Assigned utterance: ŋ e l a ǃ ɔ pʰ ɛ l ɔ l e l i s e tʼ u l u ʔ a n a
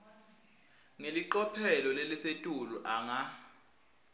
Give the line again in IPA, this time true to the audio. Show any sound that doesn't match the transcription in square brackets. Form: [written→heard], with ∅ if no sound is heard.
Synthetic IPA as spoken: ŋ e l [a→i] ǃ ɔ pʰ ɛ l ɔ l e l i s e tʼ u l u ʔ a [n→ŋ] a

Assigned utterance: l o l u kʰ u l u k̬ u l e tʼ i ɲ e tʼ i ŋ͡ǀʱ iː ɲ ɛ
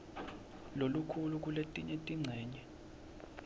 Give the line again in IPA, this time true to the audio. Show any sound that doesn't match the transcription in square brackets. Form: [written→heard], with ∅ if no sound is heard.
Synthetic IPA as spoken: l o l u kʰ u l u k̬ u l e tʼ i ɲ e tʼ i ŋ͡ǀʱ [iː→ɛː] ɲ ɛ

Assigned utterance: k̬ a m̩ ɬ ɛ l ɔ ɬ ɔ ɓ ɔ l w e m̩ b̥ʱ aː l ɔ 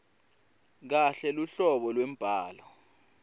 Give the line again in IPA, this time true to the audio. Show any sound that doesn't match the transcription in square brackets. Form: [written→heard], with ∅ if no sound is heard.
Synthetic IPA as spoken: k̬ a [m̩→∅] ɬ ɛ l [ɔ→u] ɬ ɔ ɓ ɔ l w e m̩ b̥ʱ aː l ɔ

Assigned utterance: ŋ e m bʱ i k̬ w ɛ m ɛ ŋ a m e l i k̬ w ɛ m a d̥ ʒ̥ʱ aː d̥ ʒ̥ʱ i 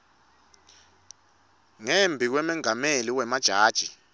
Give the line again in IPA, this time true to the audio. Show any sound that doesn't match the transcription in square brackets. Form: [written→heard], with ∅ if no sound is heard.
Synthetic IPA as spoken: ŋ e m bʱ i k̬ w ɛ m ɛ ŋ a m e l i [k̬→∅] w ɛ m a d̥ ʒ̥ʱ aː d̥ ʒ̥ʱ i

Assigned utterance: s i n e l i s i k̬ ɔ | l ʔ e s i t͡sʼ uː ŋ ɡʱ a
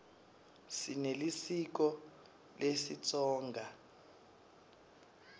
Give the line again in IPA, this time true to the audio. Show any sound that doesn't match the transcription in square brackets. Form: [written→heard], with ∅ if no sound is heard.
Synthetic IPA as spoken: s i n e l i s i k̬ ɔ | l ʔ e s i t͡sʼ [uː→ɔː] ŋ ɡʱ a

